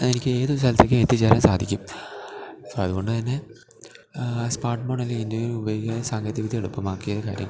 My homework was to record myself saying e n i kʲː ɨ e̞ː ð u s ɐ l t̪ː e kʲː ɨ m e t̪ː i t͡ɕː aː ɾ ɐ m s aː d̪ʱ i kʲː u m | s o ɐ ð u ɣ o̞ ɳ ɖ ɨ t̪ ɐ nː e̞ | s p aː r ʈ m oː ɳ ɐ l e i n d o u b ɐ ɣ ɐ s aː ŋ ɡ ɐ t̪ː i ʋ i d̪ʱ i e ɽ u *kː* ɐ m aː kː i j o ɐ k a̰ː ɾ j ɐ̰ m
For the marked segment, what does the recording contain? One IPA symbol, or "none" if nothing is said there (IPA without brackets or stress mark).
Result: pː